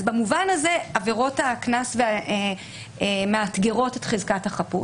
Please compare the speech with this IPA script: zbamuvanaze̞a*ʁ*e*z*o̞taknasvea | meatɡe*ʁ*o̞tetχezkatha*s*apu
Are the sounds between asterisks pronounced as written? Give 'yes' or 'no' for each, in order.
no, no, yes, no

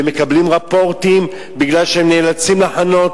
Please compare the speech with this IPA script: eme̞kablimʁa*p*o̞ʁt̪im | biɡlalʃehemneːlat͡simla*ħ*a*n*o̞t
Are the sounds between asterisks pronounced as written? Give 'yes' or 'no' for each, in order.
yes, yes, yes

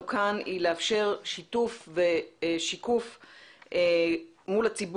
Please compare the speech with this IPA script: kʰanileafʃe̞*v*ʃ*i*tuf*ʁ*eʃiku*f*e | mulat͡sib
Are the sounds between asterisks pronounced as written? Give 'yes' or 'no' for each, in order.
no, yes, no, yes

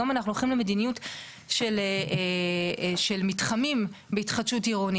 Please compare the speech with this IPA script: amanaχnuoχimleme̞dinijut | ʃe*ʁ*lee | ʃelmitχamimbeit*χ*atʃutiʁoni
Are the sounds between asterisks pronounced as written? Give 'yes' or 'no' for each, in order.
no, yes

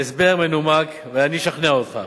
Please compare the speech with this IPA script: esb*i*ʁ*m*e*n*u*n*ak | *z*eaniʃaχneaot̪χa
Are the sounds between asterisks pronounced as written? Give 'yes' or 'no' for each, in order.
no, yes, yes, no, no

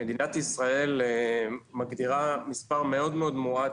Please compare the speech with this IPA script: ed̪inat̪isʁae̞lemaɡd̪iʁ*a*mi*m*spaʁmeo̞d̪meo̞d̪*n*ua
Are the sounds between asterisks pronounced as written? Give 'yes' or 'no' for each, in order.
yes, no, no

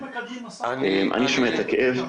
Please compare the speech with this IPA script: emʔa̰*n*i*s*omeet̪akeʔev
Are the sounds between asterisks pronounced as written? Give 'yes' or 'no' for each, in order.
yes, no

